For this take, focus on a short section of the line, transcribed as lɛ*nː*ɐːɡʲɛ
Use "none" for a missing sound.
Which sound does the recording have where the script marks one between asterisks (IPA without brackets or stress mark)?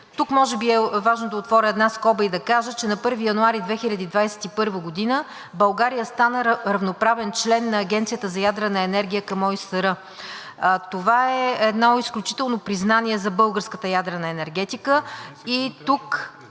nː